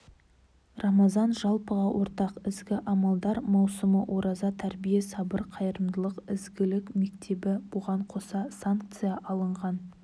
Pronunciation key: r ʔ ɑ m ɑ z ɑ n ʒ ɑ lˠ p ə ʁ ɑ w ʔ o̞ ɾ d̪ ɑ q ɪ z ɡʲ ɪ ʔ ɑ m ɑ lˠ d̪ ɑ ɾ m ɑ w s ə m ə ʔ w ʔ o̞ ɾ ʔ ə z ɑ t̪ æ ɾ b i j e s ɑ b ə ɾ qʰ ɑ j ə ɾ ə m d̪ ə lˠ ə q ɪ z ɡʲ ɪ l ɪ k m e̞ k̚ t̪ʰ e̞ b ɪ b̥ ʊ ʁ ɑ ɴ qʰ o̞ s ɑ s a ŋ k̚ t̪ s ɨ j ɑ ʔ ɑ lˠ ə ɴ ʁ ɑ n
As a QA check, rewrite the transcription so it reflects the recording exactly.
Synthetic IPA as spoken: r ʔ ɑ m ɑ z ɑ n ʒ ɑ lˠ p ə ʁ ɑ w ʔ o̞ ɾ t̪ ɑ q ɪ z ɡʲ ɪ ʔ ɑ m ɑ lˠ d̪ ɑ ɾ m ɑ w s ə m ə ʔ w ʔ o̞ ɾ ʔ ɑ z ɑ t̪ʰ æ ɾ b i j e s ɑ b ə ɾ qʰ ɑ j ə ɾ ə m d̪ ə lˠ ə q ɪ z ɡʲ ɪ l ɪ k m e̞ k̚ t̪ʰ e̞ b ɪ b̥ ʊ ʁ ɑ ɴ qʰ o̞ s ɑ s a ŋ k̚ t̪ s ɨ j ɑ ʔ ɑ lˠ ə ɴ ʁ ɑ n